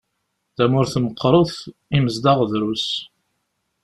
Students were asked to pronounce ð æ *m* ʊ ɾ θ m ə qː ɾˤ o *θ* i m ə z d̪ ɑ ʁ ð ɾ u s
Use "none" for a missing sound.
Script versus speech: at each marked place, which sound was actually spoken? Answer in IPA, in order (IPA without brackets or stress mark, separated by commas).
m, θ